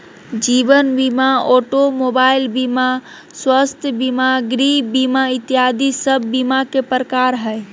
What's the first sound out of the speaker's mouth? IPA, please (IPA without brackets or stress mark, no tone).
d͡ʒ